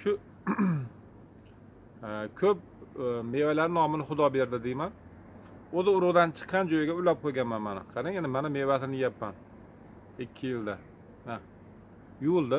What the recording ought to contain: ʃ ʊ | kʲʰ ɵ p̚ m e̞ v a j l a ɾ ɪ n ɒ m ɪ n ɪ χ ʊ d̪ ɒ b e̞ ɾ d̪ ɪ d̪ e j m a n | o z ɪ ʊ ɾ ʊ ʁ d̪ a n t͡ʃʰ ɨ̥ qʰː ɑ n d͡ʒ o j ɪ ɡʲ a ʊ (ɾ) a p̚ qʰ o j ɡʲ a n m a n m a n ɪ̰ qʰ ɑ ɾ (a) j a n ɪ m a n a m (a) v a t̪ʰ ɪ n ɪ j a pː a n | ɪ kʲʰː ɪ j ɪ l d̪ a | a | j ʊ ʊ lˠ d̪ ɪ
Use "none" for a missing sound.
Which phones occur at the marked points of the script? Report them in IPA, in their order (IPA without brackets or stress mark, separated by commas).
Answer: l, a, e